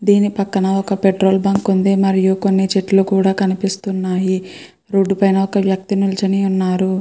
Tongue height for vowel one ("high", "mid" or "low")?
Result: high